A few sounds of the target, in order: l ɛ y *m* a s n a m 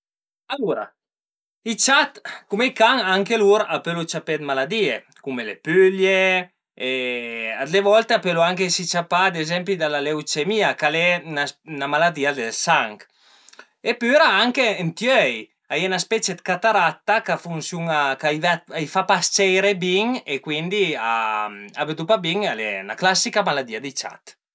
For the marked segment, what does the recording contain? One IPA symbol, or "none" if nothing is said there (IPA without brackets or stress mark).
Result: n